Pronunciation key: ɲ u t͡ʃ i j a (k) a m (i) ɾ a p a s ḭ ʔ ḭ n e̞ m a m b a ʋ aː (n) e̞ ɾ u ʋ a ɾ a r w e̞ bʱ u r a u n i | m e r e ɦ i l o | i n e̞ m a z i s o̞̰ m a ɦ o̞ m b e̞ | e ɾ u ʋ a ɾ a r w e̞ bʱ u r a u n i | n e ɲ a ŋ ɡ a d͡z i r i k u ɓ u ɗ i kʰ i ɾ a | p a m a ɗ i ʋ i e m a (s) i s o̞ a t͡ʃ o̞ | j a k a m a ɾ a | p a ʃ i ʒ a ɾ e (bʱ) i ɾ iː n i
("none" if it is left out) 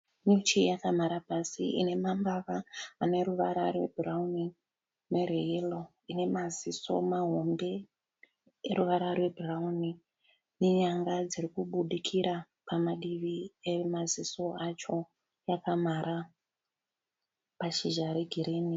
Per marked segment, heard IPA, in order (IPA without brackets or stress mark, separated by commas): k, a, n, z, ɡʱ